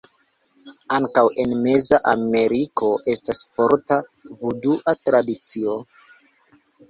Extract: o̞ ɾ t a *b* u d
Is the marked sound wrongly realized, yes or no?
yes